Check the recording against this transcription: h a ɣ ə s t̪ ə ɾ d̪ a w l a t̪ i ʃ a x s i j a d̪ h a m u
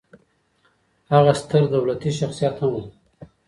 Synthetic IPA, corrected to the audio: h a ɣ a s t̪ ə ɾ d̪ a w l a t̪ i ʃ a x s i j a t̪ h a m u

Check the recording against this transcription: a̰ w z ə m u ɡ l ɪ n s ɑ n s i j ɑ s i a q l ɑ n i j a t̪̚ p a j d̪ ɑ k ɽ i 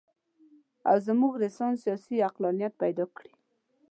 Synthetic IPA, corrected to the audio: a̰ w z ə m u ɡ ɾ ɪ s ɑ n s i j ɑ s i a q l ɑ n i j a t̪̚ p a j d̪ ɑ k ɽ i

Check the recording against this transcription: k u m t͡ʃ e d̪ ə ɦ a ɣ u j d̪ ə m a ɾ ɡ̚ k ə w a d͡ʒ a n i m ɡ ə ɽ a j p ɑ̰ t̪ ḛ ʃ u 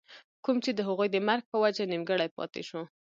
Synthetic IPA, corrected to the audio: k u m t͡ʃ e d̪ ə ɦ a ɣ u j d̪ ə m a ɾ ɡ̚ p ə w a d͡ʒ a n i m ɡ ə ɽ a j p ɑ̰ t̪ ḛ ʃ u

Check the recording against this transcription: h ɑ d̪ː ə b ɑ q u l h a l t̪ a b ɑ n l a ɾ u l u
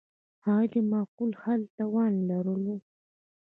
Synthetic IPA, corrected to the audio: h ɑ d̪ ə m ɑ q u l h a l t̪ a w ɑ n l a ɾ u l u

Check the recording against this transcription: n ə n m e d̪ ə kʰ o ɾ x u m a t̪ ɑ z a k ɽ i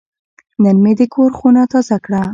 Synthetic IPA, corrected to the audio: n ə n m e d̪ ə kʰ o ɾ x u n a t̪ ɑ z a k ɽ a

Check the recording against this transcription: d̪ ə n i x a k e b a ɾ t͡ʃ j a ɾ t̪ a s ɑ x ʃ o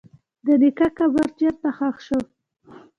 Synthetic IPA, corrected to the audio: d̪ ə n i k a k a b a ɾ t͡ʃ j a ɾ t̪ a x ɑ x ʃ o

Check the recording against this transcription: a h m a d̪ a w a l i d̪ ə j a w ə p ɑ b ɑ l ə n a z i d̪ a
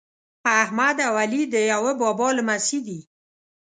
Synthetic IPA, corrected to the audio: a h m a d̪ a w a l i d̪ ə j a w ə b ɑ b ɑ l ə m a s i d̪ i

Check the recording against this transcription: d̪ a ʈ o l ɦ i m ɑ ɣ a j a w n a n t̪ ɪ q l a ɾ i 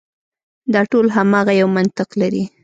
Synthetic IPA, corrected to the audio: d̪ ɑ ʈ o l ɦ a m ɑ ɣ a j a w m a n t̪ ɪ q l a ɾ i

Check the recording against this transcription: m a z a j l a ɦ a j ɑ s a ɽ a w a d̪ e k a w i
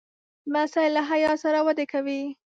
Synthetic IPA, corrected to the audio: m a s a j l a ɦ a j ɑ s a ɾ a w a d̪ e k a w i

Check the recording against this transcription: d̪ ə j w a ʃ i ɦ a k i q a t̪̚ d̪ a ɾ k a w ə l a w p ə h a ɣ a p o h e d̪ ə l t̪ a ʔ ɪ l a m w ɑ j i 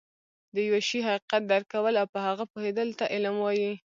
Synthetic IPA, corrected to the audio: d̪ ə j w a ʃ i ɦ a q i q a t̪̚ d̪ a ɾ k a w ə l a w p ə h a ɣ a p o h e d̪ ə l t̪ a ʔ ɪ l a m w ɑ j i

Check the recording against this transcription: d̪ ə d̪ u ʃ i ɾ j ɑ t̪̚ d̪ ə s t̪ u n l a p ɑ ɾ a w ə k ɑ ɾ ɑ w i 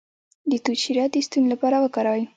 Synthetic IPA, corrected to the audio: d̪ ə t̪ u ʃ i ɾ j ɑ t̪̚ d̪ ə s t̪ u n l a p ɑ ɾ a w ə k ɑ ɾ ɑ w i

